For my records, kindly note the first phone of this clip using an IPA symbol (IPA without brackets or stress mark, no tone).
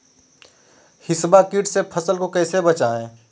h